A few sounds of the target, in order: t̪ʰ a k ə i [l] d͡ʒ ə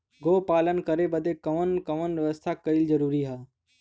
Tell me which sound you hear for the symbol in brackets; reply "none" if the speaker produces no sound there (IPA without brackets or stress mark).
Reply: l